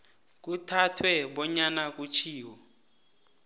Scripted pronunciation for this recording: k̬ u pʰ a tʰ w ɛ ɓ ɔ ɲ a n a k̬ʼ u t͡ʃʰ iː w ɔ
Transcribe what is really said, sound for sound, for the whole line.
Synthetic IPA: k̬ u tʰ a tʰ w ɛ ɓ ɔ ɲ a n a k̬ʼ u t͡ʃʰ iː w ɔ